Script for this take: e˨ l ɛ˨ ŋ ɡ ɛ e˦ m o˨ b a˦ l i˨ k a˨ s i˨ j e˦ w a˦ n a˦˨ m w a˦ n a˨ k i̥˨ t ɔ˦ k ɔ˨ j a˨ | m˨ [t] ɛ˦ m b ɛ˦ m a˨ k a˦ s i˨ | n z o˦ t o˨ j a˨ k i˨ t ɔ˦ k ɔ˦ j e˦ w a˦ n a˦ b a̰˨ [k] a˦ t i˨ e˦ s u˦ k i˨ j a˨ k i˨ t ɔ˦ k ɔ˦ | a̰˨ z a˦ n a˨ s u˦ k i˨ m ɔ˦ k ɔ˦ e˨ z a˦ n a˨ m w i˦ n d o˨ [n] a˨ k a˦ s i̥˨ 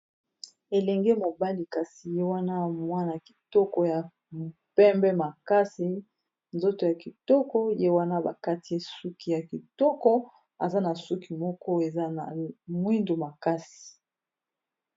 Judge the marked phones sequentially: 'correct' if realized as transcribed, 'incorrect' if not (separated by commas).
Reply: incorrect, correct, incorrect